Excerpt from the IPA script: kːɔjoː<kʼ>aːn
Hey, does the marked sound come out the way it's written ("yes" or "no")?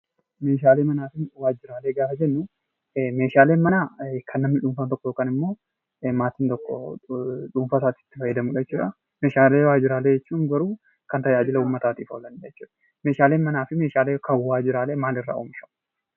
no